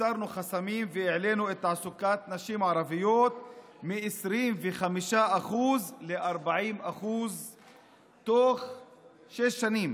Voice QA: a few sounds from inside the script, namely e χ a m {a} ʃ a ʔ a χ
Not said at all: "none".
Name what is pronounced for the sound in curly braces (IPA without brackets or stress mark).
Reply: i